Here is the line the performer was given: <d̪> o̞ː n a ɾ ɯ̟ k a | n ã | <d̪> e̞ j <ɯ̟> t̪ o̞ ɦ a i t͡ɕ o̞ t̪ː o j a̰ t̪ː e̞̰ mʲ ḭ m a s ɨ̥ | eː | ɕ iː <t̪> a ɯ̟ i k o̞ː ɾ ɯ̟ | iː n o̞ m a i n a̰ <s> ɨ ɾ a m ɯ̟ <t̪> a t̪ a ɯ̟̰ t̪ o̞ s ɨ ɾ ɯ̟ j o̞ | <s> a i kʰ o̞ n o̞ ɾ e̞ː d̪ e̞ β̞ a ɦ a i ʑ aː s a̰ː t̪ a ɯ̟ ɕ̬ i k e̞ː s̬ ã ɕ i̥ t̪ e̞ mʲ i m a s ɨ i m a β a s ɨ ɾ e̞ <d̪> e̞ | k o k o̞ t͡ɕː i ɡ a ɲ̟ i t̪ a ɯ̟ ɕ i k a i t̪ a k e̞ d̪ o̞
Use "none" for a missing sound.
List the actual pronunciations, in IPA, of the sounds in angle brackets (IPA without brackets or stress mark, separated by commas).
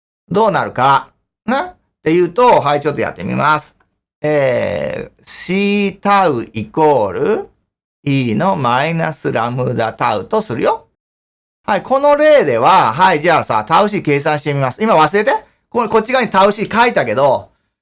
d̪, t̪, ɯ̟ː, t̪, s, d̪, h, t̪